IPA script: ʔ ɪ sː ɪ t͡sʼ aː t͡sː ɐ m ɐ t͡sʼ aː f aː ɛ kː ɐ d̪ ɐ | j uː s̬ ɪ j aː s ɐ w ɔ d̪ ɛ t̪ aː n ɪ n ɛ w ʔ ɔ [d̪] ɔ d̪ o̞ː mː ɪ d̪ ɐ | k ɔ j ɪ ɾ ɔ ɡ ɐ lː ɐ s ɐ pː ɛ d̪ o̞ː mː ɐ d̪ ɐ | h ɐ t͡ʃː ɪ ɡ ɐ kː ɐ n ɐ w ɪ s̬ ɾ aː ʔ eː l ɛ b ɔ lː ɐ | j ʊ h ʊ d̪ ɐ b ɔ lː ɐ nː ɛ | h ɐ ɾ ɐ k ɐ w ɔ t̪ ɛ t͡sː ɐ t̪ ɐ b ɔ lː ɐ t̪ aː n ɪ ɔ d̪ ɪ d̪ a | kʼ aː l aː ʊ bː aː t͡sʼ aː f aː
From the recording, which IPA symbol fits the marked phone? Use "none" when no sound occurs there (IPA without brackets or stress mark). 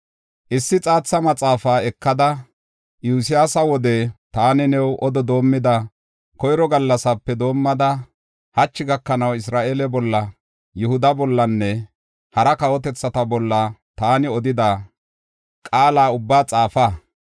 d̪